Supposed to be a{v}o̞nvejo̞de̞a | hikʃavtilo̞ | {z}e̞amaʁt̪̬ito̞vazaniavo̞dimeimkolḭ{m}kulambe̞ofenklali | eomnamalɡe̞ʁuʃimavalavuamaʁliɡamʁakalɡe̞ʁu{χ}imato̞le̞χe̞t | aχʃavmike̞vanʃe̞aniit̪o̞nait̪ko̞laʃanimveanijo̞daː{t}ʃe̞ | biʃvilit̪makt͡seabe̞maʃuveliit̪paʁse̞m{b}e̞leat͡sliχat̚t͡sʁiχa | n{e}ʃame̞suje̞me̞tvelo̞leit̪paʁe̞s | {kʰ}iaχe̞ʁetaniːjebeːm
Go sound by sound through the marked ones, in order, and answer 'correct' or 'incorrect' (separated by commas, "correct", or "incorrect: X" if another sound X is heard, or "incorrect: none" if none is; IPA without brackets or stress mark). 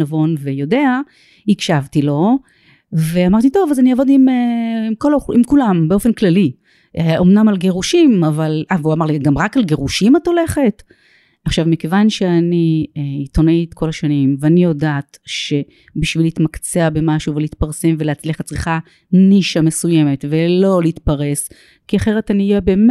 correct, incorrect: v, correct, incorrect: ʃ, correct, incorrect: v, incorrect: i, incorrect: k